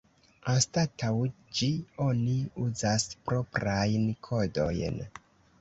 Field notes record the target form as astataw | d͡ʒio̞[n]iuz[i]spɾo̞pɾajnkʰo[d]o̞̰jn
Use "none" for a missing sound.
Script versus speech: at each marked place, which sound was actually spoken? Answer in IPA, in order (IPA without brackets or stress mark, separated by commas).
n, a, d